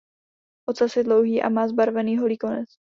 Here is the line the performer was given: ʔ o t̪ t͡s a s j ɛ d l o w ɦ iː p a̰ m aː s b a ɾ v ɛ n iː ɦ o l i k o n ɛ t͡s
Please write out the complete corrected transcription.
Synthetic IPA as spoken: ʔ o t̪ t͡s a s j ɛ d l o w ɦ iː ʔ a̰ m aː z b a ɾ v ɛ n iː ɦ o l i k o n ɛ t͡s